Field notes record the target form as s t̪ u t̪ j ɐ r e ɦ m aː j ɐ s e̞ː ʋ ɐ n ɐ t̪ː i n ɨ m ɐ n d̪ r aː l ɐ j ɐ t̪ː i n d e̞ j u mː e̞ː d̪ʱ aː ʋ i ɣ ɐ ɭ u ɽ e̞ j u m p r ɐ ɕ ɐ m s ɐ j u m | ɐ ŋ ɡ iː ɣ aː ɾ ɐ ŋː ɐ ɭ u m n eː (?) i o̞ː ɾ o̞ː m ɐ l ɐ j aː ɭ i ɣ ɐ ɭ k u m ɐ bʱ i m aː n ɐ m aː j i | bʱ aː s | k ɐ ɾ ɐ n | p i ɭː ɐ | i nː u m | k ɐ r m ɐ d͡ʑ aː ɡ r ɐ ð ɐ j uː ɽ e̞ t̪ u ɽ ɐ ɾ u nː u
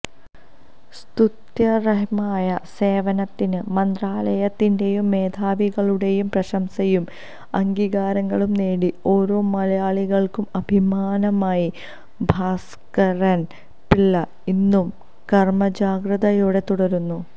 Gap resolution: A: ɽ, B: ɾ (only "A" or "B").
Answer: A